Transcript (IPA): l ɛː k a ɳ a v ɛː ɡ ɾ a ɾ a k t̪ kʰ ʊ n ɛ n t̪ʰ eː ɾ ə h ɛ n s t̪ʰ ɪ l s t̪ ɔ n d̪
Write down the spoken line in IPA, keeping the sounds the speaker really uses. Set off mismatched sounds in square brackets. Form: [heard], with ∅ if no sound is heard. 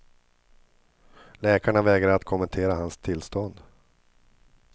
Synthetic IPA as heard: l ɛː k a ɳ a v ɛː ɡ ɾ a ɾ a [∅] t̪ kʰ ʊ [m] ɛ n t̪ʰ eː ɾ [a] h [a] n s t̪ʰ ɪ l s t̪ ɔ n d̪